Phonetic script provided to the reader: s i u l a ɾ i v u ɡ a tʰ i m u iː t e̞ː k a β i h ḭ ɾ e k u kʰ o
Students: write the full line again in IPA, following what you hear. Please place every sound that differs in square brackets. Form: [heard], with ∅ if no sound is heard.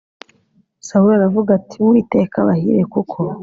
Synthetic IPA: s [a] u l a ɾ [a] v u ɡ a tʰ i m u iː t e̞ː k a β [a] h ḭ ɾ e k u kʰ o